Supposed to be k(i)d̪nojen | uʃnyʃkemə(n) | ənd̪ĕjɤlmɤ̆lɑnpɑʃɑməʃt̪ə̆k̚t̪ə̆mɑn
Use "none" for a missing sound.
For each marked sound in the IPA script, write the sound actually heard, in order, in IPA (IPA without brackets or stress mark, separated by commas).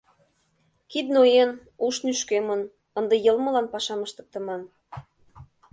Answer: i, n